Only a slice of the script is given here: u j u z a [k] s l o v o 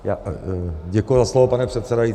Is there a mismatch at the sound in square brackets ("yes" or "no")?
yes